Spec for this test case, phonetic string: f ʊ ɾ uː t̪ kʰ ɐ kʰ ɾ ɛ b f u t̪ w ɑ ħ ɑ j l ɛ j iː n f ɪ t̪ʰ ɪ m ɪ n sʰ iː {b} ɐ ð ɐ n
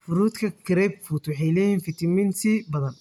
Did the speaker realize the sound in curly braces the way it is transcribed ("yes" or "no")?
yes